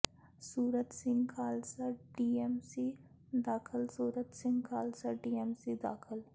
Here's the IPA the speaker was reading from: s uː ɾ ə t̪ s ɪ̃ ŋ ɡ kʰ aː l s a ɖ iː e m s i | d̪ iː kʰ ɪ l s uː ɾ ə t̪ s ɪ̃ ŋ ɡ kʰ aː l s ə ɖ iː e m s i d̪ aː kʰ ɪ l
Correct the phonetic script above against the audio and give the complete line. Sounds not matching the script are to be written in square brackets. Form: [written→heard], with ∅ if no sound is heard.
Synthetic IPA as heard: s uː ɾ ə t̪ s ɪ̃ ŋ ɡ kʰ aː l s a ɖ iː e m s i | d̪ [iː→aː] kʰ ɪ l s uː ɾ ə t̪ s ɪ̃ ŋ ɡ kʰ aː l s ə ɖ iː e m s i d̪ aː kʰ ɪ l